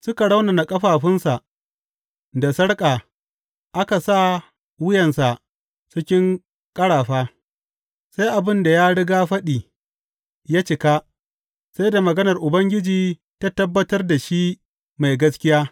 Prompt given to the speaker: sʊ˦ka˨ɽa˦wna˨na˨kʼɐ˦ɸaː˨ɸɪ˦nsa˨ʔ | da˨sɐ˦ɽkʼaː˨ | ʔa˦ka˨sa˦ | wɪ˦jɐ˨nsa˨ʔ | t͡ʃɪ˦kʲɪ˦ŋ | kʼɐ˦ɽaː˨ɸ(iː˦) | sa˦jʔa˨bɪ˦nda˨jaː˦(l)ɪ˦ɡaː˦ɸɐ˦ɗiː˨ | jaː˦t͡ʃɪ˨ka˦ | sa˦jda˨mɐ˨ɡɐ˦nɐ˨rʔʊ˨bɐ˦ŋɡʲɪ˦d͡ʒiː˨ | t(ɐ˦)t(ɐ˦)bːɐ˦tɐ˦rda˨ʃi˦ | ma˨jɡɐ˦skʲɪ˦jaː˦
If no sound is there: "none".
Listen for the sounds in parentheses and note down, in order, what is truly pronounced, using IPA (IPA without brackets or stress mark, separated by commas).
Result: aː˦, ɽ, a˦, ɐ˦